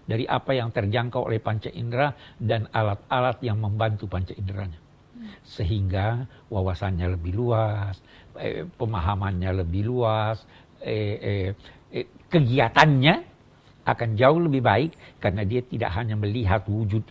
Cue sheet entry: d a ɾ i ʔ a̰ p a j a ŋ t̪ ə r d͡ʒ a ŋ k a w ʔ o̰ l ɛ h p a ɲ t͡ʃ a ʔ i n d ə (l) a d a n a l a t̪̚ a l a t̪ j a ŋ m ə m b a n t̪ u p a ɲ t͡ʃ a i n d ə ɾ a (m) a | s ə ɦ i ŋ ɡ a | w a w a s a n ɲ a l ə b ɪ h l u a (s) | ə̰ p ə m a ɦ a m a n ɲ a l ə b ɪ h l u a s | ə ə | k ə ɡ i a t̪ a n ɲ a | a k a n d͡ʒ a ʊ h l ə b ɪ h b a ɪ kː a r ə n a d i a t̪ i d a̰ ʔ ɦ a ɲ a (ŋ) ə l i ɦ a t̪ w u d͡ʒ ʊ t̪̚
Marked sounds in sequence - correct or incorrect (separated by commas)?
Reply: incorrect, incorrect, correct, incorrect